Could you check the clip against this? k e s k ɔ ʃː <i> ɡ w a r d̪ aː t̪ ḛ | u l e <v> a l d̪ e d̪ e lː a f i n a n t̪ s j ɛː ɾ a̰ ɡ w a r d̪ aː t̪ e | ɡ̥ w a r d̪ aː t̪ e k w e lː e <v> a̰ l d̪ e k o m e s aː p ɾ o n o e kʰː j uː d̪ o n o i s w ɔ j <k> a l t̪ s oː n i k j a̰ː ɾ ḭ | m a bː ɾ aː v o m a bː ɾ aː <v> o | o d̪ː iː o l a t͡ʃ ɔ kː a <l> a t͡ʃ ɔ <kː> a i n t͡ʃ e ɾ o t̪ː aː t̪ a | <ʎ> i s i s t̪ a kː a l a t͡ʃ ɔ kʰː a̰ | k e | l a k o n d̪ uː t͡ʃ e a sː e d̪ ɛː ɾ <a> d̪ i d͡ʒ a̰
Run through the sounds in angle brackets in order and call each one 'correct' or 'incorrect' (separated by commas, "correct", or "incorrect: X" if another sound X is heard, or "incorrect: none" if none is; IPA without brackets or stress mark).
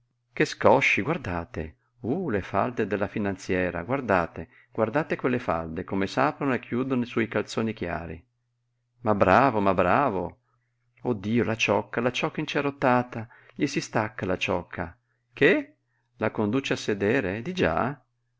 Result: correct, incorrect: f, incorrect: f, correct, correct, correct, correct, correct, incorrect: e